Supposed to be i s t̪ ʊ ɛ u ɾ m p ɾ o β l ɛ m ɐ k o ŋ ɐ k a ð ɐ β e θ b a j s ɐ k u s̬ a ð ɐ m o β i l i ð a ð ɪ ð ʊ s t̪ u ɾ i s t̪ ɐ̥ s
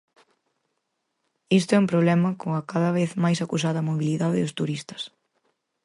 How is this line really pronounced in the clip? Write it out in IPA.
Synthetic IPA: i s t̪ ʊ ɛ u m p ɾ o β l ɛ m ɐ k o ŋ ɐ k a ð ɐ β e θ m a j s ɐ k u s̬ a ð ɐ m o β i l i ð a ð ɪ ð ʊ s t̪ u ɾ i s t̪ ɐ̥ s

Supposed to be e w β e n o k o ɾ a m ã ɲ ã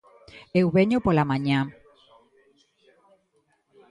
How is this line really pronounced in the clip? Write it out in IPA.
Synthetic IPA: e w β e ɲ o p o l a m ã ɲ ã

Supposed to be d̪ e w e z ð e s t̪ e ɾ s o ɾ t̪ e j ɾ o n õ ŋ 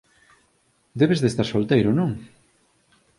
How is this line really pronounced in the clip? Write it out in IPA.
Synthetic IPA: d̪ e β e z ð e s t̪ a ɾ s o l t̪ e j ɾ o n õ ŋ

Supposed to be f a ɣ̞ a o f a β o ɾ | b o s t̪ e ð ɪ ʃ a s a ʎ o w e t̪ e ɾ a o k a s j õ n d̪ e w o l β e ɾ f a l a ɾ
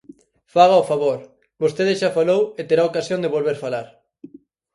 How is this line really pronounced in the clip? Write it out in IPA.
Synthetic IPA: f a ɣ̞ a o f a β o ɾ | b o s t̪ e ð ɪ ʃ a f a l o w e t̪ e ɾ a o k a s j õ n d̪ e β o l β e ɾ f a l a ɾ

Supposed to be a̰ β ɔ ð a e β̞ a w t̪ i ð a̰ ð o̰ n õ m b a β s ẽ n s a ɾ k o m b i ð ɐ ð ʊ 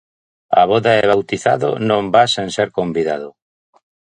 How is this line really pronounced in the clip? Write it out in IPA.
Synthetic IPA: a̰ β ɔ ð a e β̞ a w t̪ i θ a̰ ð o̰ n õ m b a s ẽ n s e ɾ k o m b i ð a ð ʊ

